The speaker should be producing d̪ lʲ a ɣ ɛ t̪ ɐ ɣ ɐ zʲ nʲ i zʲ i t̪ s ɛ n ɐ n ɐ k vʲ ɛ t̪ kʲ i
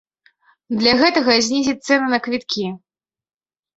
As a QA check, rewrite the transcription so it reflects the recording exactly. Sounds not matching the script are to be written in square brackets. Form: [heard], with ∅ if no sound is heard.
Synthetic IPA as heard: d̪ lʲ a ɣ ɛ t̪ ɐ ɣ ɐ zʲ nʲ i zʲ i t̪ s ɛ n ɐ n ɐ k vʲ [i] t̪ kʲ i